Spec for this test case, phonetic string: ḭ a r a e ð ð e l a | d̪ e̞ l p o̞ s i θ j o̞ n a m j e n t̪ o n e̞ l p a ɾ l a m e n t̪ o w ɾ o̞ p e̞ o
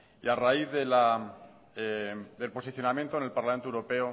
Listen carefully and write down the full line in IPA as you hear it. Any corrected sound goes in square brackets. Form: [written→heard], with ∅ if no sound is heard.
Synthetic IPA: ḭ a r a [e→i] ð ð e l a | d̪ e̞ l p o̞ s i θ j o̞ n a m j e n t̪ o n e̞ l p a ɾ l a m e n t̪ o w ɾ o̞ p e̞ o

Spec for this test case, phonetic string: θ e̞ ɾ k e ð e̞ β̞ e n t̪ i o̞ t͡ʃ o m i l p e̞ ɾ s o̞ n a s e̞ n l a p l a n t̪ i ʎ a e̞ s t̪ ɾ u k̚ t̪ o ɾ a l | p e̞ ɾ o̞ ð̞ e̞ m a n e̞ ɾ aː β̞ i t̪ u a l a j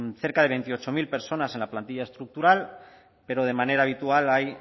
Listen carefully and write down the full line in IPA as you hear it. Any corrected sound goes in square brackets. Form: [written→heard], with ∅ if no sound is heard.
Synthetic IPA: θ e̞ ɾ k [e→a] ð e̞ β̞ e n t̪ i o̞ t͡ʃ o m i l p e̞ ɾ s o̞ n a s e̞ n l a p l a n t̪ i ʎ a e̞ s t̪ ɾ u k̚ t̪ [o→u] ɾ a l | p e̞ ɾ o̞ ð̞ e̞ m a n e̞ ɾ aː β̞ i t̪ u a l a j

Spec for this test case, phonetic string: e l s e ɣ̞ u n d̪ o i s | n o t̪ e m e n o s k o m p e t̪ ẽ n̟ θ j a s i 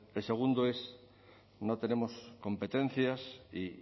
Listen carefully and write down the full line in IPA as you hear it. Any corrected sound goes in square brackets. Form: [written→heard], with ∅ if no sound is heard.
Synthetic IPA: e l s e ɣ̞ u n d̪ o [i→e] s | n o t̪ e [m→n] e [n→m] o s k o m p e t̪ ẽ n̟ θ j a s i

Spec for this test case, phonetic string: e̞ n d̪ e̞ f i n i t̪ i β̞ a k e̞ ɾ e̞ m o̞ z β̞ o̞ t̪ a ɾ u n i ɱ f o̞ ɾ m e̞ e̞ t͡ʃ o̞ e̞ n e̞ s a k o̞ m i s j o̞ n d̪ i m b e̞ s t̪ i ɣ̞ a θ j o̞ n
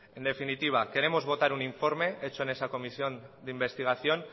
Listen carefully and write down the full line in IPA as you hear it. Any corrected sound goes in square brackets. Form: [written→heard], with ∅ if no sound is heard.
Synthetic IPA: e̞ n d̪ e̞ f i n i t̪ i β̞ a k e̞ ɾ e̞ m o̞ z β̞ o̞ t̪ a ɾ u n i ɱ f o̞ ɾ m e̞ e̞ t͡ʃ o̞ e̞ n e̞ s a k o̞ m i s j o̞ n d̪ i m b e̞ s t̪ i ɣ̞ a θ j o̞ n

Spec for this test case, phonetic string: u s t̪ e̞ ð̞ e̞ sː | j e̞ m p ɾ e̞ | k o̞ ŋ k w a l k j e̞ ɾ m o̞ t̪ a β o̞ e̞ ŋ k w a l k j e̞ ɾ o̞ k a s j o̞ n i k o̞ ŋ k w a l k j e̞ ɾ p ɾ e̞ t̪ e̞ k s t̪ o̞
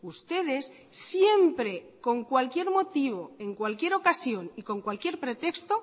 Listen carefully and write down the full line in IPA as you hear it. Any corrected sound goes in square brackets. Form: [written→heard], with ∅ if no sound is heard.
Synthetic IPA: u s t̪ e̞ ð̞ e̞ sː | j e̞ m p ɾ e̞ | k o̞ ŋ k w a l k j e̞ ɾ m o̞ t̪ [a→i] β o̞ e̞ ŋ k w a l k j e̞ ɾ o̞ k a s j o̞ n i k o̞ ŋ k w a l k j e̞ ɾ p ɾ e̞ t̪ e̞ k s t̪ o̞

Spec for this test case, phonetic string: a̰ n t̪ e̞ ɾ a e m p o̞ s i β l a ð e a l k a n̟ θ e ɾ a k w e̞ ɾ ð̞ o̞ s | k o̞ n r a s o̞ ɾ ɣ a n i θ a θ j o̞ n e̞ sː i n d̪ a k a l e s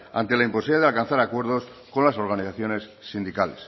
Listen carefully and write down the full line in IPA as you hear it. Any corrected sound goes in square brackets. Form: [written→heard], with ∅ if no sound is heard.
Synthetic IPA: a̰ n t̪ e̞ [ɾ→l] a [e→i] m p o̞ s i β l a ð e a l k a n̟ θ [e→a] ɾ a k w e̞ ɾ ð̞ o̞ s | k o̞ n [r→l] a s o̞ ɾ ɣ a n i θ a θ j o̞ n e̞ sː i n d̪ [a→i] k a l e s

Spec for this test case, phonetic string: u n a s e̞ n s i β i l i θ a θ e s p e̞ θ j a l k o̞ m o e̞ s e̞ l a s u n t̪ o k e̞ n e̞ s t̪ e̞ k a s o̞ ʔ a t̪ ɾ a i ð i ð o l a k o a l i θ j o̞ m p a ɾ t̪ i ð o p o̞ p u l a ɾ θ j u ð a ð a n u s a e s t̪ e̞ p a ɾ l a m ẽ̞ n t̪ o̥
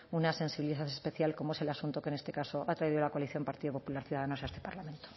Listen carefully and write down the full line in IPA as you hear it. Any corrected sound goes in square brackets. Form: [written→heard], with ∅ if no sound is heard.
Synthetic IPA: u n a s e̞ n s i β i l i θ a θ e s p e̞ θ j a l k o̞ m o e̞ s e̞ l a s u n t̪ o k e̞ n e̞ s t̪ e̞ k a s o̞ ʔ a t̪ ɾ a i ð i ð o l a k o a l i θ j o̞ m p a ɾ t̪ i ð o p o̞ p u l a ɾ θ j u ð a ð a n [u→o] s a e s t̪ e̞ p a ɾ l a m ẽ̞ n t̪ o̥

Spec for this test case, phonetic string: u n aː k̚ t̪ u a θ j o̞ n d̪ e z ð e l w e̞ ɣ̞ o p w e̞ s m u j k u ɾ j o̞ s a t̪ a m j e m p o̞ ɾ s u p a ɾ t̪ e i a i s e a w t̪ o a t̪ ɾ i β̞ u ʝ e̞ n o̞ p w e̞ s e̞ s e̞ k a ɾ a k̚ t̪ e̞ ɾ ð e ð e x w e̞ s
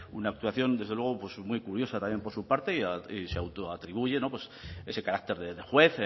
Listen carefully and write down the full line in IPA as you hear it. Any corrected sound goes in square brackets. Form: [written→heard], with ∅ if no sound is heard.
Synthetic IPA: u n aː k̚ t̪ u a θ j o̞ n d̪ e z ð e l w e̞ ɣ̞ o p w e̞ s m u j k u ɾ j o̞ s a t̪ a m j e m p o̞ ɾ s u p a ɾ t̪ e i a i s e a w t̪ o a t̪ ɾ i β̞ u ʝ e̞ n o̞ p w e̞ s e̞ s e̞ k a ɾ a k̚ t̪ e̞ ɾ ð e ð e x w e̞ [s→θ]

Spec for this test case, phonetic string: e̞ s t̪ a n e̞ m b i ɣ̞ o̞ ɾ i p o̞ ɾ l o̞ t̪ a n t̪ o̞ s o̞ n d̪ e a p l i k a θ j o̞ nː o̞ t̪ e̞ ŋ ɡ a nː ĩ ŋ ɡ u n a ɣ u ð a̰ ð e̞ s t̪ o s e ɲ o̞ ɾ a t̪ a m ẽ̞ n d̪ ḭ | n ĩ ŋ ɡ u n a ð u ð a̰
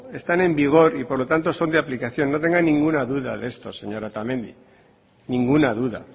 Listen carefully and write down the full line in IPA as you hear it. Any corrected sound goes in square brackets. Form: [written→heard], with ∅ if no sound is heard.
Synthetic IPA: e̞ s t̪ a n e̞ m b i ɣ̞ o̞ ɾ i p o̞ ɾ l o̞ t̪ a n t̪ o̞ s o̞ n d̪ e a p l i k a θ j o̞ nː o̞ t̪ e̞ ŋ ɡ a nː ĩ ŋ ɡ u n a [ɣ→ð] u ð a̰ ð e̞ s t̪ o s e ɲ o̞ ɾ a t̪ a m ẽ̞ n d̪ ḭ | n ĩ ŋ ɡ u n a ð u ð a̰

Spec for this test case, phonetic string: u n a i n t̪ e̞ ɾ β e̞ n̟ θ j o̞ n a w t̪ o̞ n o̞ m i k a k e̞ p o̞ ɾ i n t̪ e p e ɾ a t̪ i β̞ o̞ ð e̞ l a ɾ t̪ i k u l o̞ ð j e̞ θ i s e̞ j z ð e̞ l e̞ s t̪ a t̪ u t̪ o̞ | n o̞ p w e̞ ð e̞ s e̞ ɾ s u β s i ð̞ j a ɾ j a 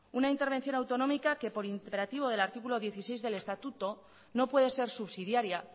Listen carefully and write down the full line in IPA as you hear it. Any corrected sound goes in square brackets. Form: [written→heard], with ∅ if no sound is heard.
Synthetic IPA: u n a i n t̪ e̞ ɾ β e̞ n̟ θ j o̞ n a w t̪ o̞ n o̞ m i k a k e̞ p o̞ ɾ i n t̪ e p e ɾ a t̪ i β̞ o̞ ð e̞ l a ɾ t̪ i k u l o̞ ð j e̞ θ i s e̞ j z ð e̞ l e̞ s t̪ a t̪ u t̪ o̞ | n o̞ p w e̞ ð e̞ s e̞ ɾ s u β s i ð̞ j a ɾ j a

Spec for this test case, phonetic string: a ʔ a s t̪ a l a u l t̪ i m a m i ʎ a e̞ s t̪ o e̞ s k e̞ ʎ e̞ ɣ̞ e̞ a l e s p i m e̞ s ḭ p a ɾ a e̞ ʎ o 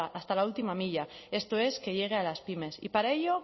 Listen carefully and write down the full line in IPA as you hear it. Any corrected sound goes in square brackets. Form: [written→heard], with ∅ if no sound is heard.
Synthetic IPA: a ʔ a s t̪ a l a u l t̪ i m a m i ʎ a e̞ s t̪ o e̞ s k e̞ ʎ e̞ ɣ̞ e̞ a l [e→a] s p i m e̞ s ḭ p a ɾ a e̞ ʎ o

